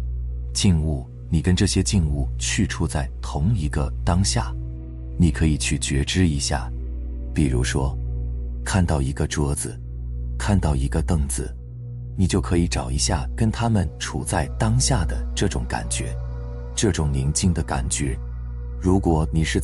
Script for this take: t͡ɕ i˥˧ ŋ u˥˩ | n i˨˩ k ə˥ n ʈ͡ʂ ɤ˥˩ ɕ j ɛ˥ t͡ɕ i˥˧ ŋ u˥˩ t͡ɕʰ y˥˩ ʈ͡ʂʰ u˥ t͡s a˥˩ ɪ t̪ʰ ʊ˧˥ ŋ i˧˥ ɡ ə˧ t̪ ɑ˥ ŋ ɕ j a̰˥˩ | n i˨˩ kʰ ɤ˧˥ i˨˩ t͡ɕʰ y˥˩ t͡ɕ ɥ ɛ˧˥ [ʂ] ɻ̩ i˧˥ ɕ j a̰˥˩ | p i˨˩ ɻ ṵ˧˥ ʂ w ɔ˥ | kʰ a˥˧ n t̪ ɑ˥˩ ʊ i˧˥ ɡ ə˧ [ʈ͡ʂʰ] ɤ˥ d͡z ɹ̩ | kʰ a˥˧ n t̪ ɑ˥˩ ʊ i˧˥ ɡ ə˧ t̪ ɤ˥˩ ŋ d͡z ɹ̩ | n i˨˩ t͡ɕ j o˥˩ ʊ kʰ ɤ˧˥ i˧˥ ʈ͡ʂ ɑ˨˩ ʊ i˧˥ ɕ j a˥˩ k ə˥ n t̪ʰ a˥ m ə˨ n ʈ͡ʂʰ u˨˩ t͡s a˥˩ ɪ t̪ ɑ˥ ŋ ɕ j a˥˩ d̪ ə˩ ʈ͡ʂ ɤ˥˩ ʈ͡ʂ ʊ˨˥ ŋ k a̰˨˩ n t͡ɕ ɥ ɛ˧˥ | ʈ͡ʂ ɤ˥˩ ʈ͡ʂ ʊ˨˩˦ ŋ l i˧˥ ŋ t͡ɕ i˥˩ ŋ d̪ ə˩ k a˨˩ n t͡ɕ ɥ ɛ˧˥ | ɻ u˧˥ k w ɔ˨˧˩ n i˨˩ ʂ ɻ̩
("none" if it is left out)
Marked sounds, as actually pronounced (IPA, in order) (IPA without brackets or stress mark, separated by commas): ʈ͡ʂ, ʈ͡ʂ